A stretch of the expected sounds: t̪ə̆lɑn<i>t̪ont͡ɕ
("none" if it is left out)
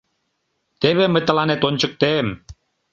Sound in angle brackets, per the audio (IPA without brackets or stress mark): e